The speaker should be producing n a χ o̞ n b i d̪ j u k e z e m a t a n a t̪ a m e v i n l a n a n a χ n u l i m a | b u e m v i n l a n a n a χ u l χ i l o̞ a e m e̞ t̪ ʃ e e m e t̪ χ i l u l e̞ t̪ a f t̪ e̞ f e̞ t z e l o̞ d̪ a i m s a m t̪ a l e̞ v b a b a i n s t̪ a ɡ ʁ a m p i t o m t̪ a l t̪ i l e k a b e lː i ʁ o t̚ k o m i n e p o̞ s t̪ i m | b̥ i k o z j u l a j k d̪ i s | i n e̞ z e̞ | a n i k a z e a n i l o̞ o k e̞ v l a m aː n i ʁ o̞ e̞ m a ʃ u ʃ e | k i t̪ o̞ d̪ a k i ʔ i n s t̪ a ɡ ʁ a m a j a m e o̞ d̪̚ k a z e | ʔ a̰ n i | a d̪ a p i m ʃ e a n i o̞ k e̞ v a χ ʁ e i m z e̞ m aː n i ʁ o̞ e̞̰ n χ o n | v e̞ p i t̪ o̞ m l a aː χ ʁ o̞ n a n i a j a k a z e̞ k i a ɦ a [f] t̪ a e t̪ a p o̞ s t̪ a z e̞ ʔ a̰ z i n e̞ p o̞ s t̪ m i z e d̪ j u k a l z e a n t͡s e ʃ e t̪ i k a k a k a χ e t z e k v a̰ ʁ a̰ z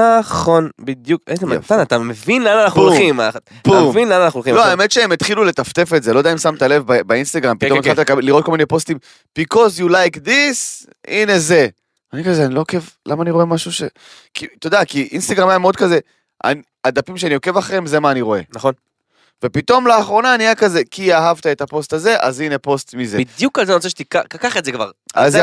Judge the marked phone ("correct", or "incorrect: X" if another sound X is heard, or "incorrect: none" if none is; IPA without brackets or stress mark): incorrect: v